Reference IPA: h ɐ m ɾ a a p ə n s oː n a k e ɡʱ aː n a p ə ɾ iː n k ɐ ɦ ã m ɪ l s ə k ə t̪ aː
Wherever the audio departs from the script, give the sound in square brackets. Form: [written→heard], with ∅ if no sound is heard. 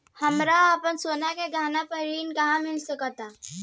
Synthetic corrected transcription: h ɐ m ɾ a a p ə n s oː n a k e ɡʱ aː n a p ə ɾ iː n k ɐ ɦ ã m ɪ l s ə k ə t̪ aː